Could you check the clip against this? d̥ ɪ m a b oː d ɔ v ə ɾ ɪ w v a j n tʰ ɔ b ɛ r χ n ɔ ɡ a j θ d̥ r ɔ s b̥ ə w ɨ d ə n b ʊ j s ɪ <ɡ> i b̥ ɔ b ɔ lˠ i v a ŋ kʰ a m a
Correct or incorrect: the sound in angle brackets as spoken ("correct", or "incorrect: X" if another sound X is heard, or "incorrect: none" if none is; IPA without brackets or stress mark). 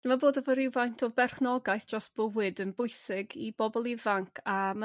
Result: correct